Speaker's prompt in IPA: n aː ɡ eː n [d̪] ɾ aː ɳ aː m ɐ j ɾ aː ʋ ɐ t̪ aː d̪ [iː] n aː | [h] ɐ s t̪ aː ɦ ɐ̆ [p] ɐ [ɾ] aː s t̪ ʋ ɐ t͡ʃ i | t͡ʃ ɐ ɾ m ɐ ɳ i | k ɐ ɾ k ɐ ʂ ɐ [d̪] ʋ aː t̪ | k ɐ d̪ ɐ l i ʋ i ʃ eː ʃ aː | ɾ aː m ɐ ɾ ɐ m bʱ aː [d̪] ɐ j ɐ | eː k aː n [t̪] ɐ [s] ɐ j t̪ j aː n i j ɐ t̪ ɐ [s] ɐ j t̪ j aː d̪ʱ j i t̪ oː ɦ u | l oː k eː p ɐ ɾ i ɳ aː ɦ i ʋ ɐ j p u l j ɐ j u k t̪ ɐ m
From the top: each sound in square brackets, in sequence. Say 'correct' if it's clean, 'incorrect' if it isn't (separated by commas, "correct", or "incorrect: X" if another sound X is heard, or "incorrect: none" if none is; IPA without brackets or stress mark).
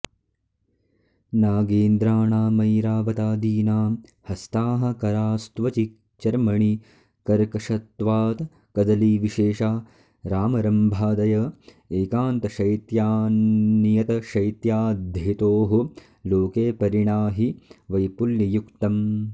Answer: correct, correct, correct, incorrect: k, correct, incorrect: t̪, correct, correct, incorrect: ʃ, incorrect: ʃ